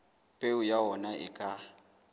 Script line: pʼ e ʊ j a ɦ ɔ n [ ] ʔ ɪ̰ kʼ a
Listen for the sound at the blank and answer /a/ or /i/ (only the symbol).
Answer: a